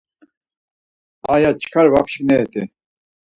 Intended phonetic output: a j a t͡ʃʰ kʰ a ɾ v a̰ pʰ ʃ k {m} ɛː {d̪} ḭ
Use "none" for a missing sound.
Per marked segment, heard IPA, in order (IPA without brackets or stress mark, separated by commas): n, t̪